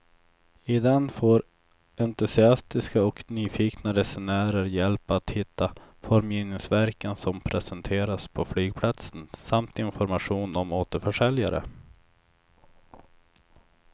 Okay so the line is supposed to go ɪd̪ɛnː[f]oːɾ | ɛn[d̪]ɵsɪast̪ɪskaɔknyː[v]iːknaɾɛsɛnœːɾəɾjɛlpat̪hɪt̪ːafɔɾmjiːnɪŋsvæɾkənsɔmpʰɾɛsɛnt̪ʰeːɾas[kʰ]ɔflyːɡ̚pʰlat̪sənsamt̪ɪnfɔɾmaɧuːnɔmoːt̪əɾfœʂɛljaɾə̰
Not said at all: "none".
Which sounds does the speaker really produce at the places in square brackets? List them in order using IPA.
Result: f, t̪, f, pʰ

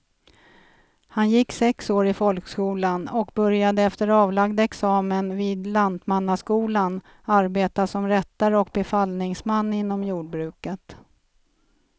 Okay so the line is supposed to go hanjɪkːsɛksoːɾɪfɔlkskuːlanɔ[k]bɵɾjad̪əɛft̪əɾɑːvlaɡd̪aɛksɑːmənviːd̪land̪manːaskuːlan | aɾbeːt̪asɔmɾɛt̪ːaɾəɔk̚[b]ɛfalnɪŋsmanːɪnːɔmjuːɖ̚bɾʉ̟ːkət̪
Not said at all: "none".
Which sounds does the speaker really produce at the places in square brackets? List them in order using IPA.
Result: k, b

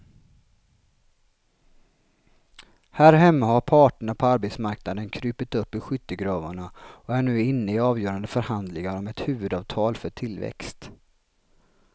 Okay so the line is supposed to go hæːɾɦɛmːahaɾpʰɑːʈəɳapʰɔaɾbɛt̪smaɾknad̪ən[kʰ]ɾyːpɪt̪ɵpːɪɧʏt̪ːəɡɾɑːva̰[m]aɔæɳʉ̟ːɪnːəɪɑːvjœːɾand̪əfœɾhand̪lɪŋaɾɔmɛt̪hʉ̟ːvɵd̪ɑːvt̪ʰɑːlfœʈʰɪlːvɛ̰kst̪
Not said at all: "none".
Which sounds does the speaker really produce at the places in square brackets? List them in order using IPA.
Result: kʰ, ɳ

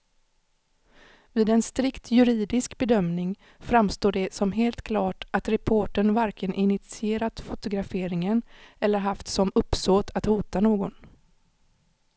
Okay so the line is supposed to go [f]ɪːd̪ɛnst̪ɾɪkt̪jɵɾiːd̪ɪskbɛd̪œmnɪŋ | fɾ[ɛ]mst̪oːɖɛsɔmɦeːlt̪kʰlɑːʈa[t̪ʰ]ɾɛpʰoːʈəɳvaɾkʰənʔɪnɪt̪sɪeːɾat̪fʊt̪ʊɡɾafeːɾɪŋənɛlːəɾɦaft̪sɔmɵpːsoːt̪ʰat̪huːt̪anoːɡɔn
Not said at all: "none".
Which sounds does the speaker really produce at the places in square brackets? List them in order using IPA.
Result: v, a, t̪

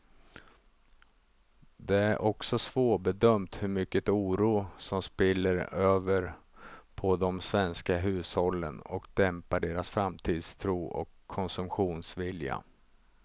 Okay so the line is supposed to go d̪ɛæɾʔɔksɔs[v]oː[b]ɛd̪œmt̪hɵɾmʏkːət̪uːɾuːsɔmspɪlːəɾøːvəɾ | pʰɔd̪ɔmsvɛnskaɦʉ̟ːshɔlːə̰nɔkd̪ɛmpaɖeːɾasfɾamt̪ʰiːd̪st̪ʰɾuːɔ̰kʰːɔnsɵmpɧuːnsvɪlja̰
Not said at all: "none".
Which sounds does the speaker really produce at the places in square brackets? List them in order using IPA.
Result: v, b

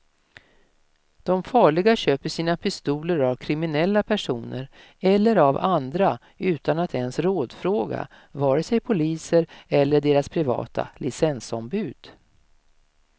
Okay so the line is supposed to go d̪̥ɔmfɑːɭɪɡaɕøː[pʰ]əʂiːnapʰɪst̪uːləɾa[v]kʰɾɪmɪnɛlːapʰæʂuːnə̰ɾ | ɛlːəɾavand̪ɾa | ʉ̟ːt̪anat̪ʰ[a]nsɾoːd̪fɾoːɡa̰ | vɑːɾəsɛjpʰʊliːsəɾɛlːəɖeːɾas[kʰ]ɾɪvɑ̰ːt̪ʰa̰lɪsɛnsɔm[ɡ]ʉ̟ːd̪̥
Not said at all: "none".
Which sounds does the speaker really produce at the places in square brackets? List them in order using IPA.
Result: p, v, ɛ, pʰ, b

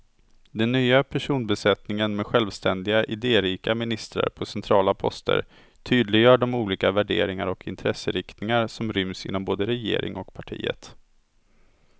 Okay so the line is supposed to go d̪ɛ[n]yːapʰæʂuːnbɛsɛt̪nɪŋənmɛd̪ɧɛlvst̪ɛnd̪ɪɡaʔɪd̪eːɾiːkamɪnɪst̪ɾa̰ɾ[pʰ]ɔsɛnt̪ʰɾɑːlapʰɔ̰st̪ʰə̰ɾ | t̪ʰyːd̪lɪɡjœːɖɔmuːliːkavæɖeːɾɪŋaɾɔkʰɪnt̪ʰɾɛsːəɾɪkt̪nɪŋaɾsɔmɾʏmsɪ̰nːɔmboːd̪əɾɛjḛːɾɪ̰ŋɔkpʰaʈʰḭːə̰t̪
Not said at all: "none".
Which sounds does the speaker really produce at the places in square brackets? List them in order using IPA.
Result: nː, pʰ

